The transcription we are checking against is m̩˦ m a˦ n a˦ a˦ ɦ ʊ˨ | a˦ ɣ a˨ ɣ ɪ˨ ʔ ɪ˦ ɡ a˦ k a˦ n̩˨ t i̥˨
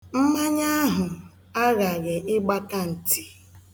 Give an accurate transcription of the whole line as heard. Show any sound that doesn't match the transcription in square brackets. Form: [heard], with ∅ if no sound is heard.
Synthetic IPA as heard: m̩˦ m a˦ [ɲ] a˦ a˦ ɦ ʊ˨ | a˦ ɣ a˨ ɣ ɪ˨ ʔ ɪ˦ [ɡ͡b] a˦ k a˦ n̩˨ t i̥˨